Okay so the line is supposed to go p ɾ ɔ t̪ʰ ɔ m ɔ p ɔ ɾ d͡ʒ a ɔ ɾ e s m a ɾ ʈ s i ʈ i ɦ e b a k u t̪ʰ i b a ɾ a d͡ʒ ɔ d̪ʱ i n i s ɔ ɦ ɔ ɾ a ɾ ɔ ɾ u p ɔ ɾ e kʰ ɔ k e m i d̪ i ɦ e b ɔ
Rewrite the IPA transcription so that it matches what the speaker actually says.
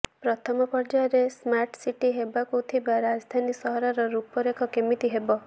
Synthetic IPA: p ɾ ɔ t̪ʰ ɔ m ɔ p ɔ ɾ d͡ʒ a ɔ ɾ e s m a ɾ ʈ s i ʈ i ɦ e b a k u t̪ʰ i b a ɾ a d͡ʒ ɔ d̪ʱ a n i s ɔ ɦ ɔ ɾ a ɾ ɔ ɾ u p ɔ ɾ e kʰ ɔ k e m i t̪ i ɦ e b ɔ